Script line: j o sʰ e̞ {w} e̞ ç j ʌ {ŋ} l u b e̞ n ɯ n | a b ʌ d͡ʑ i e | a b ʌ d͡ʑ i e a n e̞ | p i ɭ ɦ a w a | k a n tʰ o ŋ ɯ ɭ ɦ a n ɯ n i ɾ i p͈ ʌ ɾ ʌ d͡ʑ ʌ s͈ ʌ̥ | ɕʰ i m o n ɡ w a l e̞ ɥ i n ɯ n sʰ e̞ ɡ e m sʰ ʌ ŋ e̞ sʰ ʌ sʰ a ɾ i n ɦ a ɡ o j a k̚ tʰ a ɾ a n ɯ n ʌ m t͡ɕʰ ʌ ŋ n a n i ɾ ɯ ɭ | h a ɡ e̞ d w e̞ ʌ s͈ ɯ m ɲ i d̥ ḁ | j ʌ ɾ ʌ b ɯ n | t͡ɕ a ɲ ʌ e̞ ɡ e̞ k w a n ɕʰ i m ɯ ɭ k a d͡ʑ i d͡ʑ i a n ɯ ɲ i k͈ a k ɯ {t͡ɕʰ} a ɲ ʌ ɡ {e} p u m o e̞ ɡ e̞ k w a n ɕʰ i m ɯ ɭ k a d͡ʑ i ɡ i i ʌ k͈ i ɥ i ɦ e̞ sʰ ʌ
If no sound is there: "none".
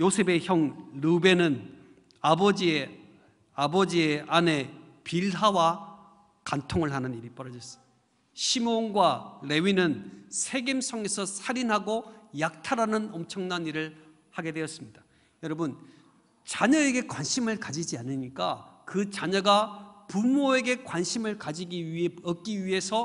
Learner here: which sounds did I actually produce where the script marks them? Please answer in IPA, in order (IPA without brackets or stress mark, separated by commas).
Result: b, ŋ, t͡ɕ, a